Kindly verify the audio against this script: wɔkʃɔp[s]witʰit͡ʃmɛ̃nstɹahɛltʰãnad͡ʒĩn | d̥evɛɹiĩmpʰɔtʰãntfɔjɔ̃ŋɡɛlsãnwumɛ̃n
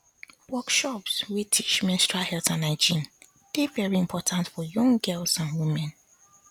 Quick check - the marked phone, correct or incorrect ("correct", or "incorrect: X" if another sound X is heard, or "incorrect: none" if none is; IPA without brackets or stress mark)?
correct